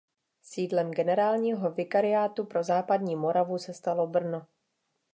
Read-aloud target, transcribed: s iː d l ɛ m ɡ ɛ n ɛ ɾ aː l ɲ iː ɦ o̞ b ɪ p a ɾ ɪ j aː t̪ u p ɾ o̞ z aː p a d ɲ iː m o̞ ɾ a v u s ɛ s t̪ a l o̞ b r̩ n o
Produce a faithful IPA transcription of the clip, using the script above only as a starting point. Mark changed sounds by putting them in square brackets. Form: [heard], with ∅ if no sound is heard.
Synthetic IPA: s iː d l ɛ m ɡ ɛ n ɛ ɾ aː l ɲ iː ɦ o̞ [v] ɪ [k] a ɾ ɪ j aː t̪ u p ɾ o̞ z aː p a d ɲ iː m o̞ ɾ a v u s ɛ s t̪ a l o̞ b r̩ n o

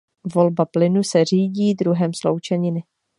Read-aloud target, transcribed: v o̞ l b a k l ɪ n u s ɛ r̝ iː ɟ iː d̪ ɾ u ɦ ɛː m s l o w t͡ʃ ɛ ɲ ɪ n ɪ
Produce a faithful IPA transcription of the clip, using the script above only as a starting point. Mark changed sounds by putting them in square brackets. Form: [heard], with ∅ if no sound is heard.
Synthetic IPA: v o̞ l b a [p] l ɪ n u s ɛ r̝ iː ɟ iː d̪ ɾ u ɦ [ɛ] m s l o w t͡ʃ ɛ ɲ ɪ n ɪ

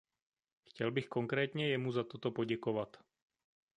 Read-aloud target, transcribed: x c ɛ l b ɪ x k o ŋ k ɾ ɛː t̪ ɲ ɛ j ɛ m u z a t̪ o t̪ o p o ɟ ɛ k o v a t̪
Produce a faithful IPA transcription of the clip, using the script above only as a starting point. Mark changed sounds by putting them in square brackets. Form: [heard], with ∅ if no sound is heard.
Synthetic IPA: x c ɛ l b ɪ x k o ŋ k ɾ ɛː t̪ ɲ ɛ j ɛ m u z a t̪ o t̪ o p o ɟ ɛ k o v a t̪

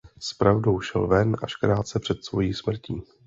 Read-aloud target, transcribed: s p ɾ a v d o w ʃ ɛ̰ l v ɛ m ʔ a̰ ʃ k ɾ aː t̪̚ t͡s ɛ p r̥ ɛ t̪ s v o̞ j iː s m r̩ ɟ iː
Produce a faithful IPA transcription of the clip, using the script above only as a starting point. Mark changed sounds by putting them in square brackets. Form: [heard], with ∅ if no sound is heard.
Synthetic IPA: s p ɾ a v d o w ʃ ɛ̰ l v ɛ [n] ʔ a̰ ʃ k ɾ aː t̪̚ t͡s ɛ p r̥ ɛ t̪ s v o̞ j iː s m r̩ [c] iː

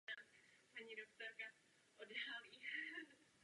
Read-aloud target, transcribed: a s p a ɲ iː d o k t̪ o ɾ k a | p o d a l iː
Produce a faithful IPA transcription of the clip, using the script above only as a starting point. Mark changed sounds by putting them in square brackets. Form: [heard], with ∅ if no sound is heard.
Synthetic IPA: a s p a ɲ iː d o k t̪ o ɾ k a | [ʔ] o d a l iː

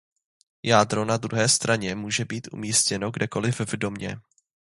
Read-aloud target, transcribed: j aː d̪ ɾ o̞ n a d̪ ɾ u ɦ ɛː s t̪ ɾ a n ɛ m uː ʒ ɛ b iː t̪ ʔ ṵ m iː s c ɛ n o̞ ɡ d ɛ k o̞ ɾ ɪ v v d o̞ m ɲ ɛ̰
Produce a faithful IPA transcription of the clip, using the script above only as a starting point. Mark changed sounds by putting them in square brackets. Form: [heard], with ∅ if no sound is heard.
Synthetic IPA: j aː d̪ ɾ o̞ n a d̪ ɾ u ɦ ɛː s t̪ ɾ a [ɲ] ɛ m uː ʒ ɛ b iː t̪ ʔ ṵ m iː s c ɛ n o̞ ɡ d ɛ k o̞ [l] ɪ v v d o̞ m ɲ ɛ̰

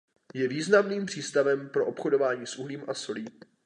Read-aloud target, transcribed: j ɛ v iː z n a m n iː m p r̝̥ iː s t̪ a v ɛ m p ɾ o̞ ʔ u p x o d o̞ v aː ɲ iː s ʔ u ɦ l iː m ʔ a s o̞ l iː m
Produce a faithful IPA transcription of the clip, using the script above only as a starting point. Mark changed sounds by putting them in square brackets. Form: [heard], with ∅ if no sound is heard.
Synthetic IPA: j ɛ v iː z n a m n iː m p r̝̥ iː s t̪ a v ɛ m p ɾ o̞ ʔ [o] p x o d o̞ v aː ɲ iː s ʔ u ɦ l iː m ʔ a s o̞ l iː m

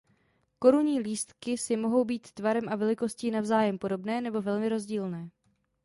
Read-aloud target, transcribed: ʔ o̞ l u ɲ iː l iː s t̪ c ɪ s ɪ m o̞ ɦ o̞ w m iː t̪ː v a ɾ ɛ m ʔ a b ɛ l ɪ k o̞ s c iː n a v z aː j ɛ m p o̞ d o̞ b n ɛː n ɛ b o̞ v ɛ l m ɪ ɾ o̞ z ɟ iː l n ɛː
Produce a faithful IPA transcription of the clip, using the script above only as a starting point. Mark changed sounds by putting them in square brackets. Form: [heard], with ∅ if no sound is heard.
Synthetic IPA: [k] o̞ [ɾ] u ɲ iː l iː s t̪ [k] ɪ s ɪ m o̞ ɦ o̞ w [b] iː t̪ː v a ɾ ɛ m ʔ a [v] ɛ l ɪ k o̞ s c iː n a v z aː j ɛ m p o̞ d o̞ b n ɛː n ɛ b o̞ v ɛ l m ɪ ɾ o̞ z ɟ iː l n ɛː

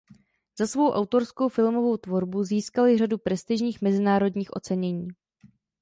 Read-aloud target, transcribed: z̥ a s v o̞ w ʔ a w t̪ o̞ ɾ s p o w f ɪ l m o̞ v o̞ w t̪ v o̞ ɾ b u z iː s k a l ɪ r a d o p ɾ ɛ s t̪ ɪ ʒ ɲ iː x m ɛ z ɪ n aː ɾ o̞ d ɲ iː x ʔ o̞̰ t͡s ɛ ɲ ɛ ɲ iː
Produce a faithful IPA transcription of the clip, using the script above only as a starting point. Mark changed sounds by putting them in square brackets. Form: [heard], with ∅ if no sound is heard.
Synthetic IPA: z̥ a s v o̞ w ʔ a w t̪ o̞ ɾ s [k] o w f ɪ l m o̞ v o̞ w t̪ v o̞ ɾ b u z iː s k a l ɪ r a d [u] p ɾ ɛ s t̪ ɪ ʒ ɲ iː x m ɛ z ɪ n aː ɾ o̞ d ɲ iː x ʔ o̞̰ t͡s ɛ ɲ ɛ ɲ iː

